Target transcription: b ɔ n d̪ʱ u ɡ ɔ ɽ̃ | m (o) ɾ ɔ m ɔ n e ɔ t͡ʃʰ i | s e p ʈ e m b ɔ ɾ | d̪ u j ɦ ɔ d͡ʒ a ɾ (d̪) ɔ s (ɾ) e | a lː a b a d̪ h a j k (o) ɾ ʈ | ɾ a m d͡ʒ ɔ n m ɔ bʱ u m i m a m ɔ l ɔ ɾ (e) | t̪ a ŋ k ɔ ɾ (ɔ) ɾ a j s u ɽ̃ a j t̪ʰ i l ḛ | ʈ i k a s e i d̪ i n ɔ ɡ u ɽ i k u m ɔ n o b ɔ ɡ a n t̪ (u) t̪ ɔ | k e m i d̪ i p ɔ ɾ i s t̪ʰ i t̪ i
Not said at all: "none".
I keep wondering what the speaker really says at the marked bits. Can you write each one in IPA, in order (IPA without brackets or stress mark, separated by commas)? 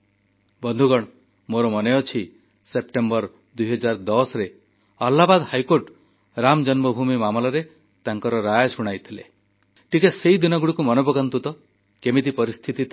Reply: o, d̪, ɾ, o, e, ɔ, u